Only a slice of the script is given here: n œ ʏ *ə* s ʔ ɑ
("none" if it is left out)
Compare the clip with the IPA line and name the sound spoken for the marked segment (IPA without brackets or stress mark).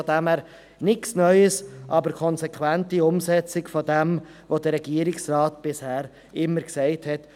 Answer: ə